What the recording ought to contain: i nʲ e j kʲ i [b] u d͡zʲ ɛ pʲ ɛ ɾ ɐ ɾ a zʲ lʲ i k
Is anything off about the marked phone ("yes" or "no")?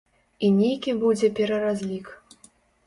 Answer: no